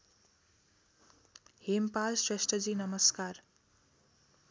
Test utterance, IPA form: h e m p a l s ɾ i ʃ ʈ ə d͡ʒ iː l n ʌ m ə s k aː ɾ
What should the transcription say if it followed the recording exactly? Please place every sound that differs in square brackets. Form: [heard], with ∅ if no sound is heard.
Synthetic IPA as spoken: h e m p a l s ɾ [e] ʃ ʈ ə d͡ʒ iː [∅] n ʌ m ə s k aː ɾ

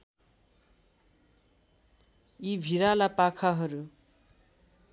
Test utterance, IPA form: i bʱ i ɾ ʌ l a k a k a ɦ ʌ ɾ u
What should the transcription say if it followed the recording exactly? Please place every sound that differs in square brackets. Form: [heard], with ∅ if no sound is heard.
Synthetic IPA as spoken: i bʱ i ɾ [a] l a [p] a [kʰ] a ɦ ʌ ɾ u

